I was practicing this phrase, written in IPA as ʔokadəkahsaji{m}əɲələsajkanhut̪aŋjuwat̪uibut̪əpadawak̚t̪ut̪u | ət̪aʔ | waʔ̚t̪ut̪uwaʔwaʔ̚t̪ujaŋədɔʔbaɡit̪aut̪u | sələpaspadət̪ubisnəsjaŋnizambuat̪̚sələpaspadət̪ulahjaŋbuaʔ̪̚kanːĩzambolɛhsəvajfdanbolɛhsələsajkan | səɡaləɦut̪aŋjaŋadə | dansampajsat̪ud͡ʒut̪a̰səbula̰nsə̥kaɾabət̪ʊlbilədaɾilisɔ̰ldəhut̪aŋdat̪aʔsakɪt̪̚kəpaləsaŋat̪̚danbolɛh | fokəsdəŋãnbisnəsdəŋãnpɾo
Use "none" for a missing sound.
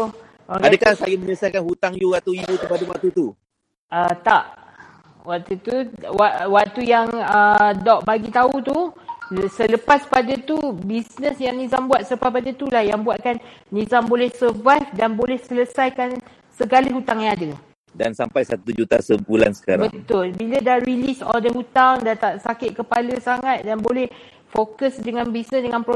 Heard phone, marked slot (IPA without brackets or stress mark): m